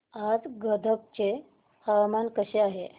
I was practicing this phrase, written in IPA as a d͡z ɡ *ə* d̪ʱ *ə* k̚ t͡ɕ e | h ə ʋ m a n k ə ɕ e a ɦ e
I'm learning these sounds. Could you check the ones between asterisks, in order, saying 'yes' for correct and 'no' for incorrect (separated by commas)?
yes, yes